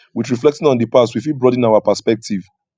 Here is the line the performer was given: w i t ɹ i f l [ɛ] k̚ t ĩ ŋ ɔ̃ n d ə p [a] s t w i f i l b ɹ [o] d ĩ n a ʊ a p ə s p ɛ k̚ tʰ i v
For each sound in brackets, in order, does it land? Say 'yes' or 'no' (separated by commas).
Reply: yes, yes, no